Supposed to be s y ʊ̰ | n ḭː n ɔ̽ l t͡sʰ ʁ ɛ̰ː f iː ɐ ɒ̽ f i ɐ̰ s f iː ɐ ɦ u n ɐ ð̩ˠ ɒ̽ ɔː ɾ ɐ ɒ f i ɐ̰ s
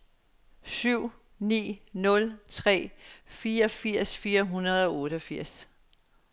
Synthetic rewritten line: s y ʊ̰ | n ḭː n ɔ̽ l t͡sʰ ʁ ɛ̰ː f iː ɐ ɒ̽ f i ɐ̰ s f iː ɐ ɦ u n ɐ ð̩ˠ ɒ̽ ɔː ɾ ə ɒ f i ɐ̰ s